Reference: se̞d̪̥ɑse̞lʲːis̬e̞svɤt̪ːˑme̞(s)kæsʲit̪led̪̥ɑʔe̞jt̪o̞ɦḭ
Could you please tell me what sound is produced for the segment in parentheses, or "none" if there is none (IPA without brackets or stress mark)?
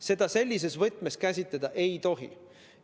s